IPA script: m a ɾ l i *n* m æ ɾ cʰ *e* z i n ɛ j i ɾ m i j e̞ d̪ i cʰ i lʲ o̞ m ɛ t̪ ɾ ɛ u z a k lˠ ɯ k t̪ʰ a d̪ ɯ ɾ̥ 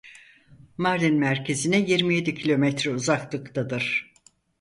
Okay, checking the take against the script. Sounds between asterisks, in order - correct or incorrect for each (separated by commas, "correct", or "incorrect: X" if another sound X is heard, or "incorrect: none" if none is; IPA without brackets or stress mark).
correct, correct